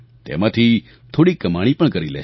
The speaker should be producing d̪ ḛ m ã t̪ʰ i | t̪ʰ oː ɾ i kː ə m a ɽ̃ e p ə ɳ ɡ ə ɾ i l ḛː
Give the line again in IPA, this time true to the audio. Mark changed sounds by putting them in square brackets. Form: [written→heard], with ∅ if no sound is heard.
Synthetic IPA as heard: [d̪→t̪] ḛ m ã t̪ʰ i | t̪ʰ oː [ɾ→ɽ] i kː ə m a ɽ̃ [e→i] p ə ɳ [ɡ→k] ə ɾ i l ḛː